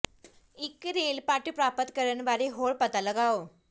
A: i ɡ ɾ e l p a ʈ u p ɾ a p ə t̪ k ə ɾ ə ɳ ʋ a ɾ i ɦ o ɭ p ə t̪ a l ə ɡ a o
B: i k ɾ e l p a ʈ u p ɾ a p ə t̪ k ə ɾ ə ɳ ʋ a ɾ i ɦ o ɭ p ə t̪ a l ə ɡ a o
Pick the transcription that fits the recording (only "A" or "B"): B